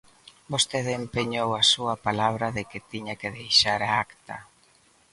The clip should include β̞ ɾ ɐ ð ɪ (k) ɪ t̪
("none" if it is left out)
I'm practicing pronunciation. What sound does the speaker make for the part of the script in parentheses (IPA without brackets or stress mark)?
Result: k